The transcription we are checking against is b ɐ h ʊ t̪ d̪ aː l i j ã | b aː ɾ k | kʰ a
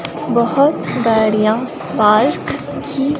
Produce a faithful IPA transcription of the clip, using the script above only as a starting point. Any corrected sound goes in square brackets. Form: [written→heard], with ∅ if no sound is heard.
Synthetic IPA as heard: b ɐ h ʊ t̪ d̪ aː [l→ɾ] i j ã | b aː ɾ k | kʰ [a→i]

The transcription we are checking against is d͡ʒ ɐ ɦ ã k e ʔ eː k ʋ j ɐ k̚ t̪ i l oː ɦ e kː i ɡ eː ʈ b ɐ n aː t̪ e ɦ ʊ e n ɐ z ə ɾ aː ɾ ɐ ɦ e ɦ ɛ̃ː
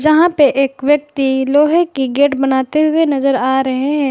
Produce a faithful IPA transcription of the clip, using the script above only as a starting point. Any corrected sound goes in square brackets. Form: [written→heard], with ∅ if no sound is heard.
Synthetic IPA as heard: d͡ʒ ɐ ɦ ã [k→p] e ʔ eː k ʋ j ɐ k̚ t̪ i l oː ɦ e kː i ɡ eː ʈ b ɐ n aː t̪ e ɦ ʊ e n ɐ z ə ɾ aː ɾ ɐ ɦ e ɦ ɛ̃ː

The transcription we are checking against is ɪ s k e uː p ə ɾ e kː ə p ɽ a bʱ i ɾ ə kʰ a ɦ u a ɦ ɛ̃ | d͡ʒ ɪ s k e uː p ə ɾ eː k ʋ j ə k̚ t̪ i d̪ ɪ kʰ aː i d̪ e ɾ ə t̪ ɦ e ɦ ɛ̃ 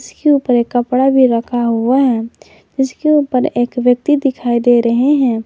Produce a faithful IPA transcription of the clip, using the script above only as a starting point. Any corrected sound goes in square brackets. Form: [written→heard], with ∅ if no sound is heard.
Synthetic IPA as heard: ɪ s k e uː p ə ɾ e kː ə p ɽ a bʱ i ɾ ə kʰ a ɦ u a ɦ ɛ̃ | d͡ʒ ɪ s k e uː p ə ɾ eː k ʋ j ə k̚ t̪ i d̪ ɪ kʰ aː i d̪ e ɾ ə [t̪→∅] ɦ e ɦ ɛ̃

